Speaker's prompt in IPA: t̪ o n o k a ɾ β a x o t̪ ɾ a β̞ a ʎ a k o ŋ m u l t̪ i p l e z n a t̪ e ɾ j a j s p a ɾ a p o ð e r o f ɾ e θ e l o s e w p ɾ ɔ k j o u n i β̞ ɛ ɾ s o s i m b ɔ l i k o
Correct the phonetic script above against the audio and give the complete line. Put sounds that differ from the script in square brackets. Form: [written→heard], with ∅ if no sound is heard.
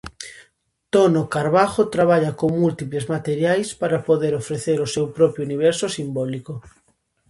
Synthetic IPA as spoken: t̪ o n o k a ɾ β a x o t̪ ɾ a β̞ a ʎ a k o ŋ m u l t̪ i p l e z [n→m] a t̪ e ɾ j a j s p a ɾ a p o ð e [r→ɾ] o f ɾ e θ e [l→ɾ] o s e w p ɾ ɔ [k→p] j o u n i β̞ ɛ ɾ s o s i m b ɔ l i k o